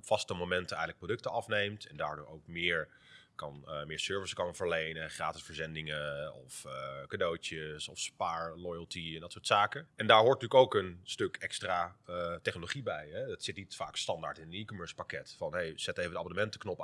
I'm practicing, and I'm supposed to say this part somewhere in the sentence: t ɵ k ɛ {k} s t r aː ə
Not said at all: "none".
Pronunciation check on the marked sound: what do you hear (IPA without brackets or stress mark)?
k